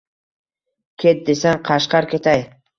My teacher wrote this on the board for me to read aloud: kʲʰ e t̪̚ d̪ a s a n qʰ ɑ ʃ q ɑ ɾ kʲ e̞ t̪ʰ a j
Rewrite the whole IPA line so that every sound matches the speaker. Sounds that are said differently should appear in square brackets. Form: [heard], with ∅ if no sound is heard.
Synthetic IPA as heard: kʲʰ e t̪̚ d̪ [e] s a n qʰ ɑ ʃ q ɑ ɾ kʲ e̞ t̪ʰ a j

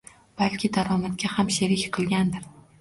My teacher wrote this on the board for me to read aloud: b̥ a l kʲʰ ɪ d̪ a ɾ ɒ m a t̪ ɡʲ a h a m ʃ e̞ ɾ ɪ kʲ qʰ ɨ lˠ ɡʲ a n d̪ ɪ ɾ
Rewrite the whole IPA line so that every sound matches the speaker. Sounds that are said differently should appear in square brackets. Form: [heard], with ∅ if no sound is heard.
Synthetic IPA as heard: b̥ a l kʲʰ ɪ d̪ a ɾ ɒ m a t̪ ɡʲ a h a m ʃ e̞ ɾ ɪ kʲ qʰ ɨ lˠ ɡʲ a n d̪ ɪ ɾ

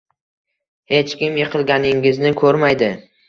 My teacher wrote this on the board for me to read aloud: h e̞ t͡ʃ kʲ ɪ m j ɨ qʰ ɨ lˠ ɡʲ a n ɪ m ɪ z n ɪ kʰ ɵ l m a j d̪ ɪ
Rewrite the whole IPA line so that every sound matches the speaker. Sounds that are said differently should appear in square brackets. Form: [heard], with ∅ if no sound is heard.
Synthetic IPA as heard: h e̞ t͡ʃ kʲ ɪ m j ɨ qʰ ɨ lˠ ɡʲ a n ɪ [ŋ] ɪ z n ɪ kʰ ɵ [ɾ] m a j d̪ ɪ

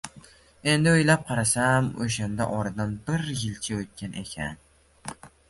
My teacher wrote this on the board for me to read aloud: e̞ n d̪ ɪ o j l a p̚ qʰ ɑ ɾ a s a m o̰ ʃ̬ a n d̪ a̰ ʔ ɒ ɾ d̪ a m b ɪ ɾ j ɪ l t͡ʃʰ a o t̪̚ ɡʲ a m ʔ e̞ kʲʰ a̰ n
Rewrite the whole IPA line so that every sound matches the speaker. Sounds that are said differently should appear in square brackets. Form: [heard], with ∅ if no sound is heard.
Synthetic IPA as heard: e̞ n d̪ ɪ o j l a p̚ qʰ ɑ ɾ a s a m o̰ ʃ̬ a n d̪ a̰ ʔ ɒ ɾ d̪ a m b ɪ ɾ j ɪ l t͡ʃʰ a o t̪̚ [kʲ] a [n] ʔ e̞ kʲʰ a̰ n

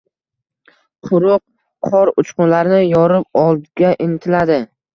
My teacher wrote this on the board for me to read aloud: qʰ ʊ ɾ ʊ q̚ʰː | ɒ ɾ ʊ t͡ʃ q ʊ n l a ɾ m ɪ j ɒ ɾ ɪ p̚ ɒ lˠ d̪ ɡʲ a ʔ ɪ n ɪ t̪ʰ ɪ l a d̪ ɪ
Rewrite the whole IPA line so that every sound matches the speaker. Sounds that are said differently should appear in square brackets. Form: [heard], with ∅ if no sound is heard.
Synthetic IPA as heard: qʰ ʊ ɾ ʊ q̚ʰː | ɒ ɾ ʊ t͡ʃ q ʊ n l a ɾ [n] ɪ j ɒ ɾ ɪ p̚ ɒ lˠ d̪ ɡʲ a ʔ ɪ n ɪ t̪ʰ ɪ l a d̪ ɪ

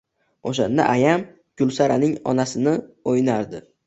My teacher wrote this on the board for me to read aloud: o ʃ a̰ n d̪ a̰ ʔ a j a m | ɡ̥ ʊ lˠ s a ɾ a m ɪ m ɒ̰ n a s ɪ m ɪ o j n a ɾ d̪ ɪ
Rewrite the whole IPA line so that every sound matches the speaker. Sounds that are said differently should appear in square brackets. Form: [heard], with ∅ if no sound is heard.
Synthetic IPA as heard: o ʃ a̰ n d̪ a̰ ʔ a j a m | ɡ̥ ʊ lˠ s a ɾ a [n] ɪ [ŋ] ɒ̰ n a s ɪ [n] ɪ o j n a ɾ d̪ ɪ

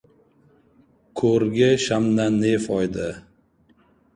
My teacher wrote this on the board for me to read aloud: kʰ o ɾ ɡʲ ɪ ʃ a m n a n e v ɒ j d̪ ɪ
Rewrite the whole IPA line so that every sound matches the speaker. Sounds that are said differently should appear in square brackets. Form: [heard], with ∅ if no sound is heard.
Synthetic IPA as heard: kʰ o ɾ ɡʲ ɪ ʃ a m n a n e [f] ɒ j d̪ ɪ

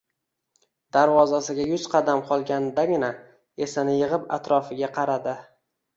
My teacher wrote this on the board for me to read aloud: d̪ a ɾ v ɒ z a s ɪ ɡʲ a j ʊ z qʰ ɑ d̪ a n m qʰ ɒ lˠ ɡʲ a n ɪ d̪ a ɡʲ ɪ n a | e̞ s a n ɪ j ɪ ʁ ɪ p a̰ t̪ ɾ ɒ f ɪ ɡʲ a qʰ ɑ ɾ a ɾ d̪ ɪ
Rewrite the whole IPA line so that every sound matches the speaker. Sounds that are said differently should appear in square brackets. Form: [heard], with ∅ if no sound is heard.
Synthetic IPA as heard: d̪ a ɾ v ɒ z a s ɪ ɡʲ a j ʊ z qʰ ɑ d̪ a [∅] m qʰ ɒ lˠ ɡʲ a n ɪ d̪ a ɡʲ ɪ n a | e̞ s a n ɪ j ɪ ʁ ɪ p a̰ t̪ ɾ ɒ f ɪ ɡʲ a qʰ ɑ ɾ a [∅] d̪ ɪ

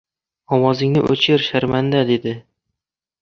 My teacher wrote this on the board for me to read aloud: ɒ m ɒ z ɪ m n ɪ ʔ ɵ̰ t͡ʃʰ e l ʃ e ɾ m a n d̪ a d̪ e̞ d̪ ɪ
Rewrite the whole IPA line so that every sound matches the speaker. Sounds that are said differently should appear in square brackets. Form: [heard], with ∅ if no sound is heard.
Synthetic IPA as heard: ɒ m ɒ z ɪ [ŋ] n ɪ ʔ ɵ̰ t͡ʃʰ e [ɾ] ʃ [a] ɾ m a n d̪ a d̪ e̞ d̪ ɪ

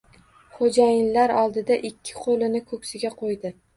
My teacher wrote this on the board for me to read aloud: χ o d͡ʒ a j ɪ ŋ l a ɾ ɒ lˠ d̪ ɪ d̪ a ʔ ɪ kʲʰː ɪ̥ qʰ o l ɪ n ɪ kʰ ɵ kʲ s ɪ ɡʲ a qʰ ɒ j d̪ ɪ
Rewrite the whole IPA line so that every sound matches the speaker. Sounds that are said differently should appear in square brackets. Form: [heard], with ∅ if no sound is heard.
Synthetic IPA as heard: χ o d͡ʒ a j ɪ [n] l a ɾ ɒ lˠ d̪ ɪ d̪ a ʔ ɪ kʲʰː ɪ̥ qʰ o l ɪ n ɪ kʰ ɵ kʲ s ɪ ɡʲ a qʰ [o] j d̪ ɪ

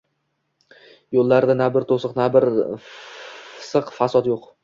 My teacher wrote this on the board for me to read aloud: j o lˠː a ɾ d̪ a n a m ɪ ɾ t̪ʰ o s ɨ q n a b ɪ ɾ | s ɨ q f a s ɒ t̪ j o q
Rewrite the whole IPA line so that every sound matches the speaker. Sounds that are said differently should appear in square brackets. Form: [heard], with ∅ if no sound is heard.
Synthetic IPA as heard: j o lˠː a ɾ d̪ a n a [b] ɪ ɾ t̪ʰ o s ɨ q n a b ɪ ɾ | s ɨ q f a s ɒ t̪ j o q

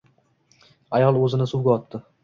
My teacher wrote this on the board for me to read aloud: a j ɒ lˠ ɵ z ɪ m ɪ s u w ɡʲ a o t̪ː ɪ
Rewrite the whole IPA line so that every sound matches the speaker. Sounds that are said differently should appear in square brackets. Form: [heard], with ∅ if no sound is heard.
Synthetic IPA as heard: a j ɒ lˠ ɵ z ɪ [n] ɪ s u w ɡʲ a [ɒ] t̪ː ɪ

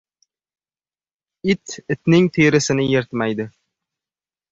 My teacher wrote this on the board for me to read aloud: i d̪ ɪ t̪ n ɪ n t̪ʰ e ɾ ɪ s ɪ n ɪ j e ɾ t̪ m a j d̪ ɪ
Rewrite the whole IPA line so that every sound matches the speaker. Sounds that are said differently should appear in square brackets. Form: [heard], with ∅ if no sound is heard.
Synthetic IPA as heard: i [t̪] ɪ t̪ n ɪ [ŋ] t̪ʰ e ɾ ɪ s ɪ n ɪ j e ɾ t̪ m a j d̪ ɪ

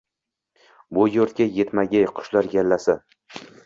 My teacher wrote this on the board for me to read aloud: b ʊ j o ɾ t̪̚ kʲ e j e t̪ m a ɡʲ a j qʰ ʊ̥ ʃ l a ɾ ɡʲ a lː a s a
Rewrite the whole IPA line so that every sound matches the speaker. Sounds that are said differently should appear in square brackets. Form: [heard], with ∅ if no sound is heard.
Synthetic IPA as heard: b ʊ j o ɾ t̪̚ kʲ [a] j e t̪ m a ɡʲ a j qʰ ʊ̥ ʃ l a ɾ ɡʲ a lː a s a

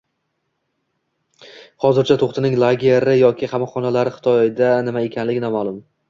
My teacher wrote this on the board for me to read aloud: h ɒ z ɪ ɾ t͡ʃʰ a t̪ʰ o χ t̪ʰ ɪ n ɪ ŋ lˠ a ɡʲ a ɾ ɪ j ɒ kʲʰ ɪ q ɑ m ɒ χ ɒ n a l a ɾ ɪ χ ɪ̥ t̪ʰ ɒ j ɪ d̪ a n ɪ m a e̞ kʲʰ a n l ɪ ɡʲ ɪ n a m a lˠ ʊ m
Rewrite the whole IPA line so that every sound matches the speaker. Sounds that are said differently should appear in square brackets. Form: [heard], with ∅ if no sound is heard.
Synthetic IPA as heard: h ɒ z ɪ ɾ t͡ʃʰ a t̪ʰ o χ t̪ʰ ɪ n ɪ ŋ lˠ a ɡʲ [e] ɾ ɪ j ɒ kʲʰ ɪ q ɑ m ɒ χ ɒ n a l a ɾ ɪ χ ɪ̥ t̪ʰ ɒ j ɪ d̪ a n ɪ m a e̞ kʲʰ a n l ɪ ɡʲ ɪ n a m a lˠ ʊ m

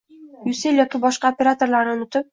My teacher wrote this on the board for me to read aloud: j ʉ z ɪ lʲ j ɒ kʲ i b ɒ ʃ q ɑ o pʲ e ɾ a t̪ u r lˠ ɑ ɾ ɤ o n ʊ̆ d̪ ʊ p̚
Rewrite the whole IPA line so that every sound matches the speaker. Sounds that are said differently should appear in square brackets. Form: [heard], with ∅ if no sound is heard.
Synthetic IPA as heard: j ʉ [s] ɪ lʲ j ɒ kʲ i b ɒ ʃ q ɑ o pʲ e ɾ a t̪ [o] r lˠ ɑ ɾ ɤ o n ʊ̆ [t̪] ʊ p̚

